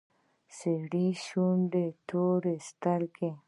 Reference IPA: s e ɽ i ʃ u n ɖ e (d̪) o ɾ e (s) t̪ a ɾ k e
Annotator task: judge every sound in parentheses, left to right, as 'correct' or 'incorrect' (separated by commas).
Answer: incorrect, correct